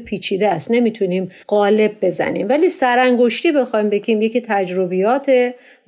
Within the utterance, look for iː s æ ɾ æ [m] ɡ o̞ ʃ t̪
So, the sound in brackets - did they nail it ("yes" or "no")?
no